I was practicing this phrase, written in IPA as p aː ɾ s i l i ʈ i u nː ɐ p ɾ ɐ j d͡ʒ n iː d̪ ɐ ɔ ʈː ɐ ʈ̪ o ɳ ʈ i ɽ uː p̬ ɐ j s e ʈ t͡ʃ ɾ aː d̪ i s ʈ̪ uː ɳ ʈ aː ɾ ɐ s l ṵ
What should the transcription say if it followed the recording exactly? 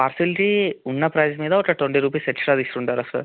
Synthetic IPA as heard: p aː ɾ s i l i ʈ i u nː ɐ p ɾ ɐ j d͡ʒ m iː d̪ ɐ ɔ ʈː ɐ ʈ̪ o ɳ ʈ i ɾ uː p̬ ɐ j s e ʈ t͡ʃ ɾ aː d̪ i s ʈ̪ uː ɳ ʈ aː ɾ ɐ s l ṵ

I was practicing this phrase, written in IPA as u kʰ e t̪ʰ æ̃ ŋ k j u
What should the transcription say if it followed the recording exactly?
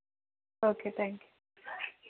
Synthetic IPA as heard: o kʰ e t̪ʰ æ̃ ŋ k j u

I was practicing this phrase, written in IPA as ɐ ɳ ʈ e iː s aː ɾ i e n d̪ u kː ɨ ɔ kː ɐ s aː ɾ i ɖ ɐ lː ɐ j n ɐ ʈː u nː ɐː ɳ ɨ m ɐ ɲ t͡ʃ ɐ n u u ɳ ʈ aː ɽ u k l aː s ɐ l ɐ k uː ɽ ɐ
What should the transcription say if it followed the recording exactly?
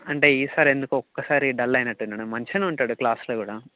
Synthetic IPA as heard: ɐ ɳ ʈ e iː s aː ɾ i e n d̪ u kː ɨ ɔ kː ɐ s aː ɾ i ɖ ɐ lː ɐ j n ɐ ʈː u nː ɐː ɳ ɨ m ɐ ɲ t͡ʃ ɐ n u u ɳ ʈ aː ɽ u k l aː s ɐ l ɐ k uː ɽ ɐ

